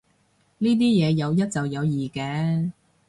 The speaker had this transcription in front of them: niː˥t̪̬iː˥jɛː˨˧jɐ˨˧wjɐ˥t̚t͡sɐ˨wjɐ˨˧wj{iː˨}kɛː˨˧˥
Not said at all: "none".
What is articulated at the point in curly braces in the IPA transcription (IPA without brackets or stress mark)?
iː˨